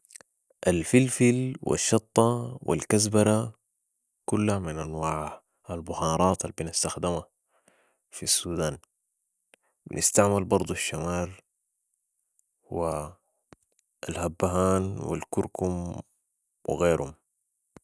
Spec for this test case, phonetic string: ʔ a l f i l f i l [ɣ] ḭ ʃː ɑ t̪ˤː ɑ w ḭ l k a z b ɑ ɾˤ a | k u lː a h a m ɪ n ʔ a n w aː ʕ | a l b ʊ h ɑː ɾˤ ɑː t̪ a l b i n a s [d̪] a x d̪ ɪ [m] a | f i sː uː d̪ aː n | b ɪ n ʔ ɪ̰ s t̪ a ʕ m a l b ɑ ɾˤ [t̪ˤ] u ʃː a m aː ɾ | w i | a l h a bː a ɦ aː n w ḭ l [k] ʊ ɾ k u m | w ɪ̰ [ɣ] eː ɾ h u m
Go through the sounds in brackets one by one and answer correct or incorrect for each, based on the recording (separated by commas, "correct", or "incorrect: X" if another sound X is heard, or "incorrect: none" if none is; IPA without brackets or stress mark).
incorrect: w, incorrect: t̪, correct, incorrect: d̪ˤ, correct, correct